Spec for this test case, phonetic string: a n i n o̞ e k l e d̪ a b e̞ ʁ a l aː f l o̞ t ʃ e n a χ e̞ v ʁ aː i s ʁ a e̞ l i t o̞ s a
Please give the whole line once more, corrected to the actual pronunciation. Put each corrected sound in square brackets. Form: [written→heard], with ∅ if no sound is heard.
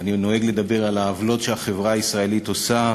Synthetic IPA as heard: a n i n o̞ e [k→ɡ] l e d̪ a b e̞ ʁ a l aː [f→v] l o̞ t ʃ e [n→∅] a χ e̞ v ʁ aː i s ʁ a e̞ l i t o̞ s a